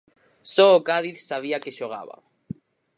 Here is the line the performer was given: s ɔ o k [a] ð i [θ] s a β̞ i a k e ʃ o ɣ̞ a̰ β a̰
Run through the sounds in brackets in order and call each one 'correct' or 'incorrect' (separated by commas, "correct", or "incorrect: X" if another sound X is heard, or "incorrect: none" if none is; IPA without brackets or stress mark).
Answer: correct, correct